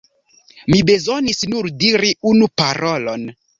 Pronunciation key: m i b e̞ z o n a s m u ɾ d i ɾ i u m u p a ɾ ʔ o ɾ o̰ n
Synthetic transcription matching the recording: m i b e̞ z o n i s n u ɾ d i ɾ i u n u p a ɾ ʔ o l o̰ n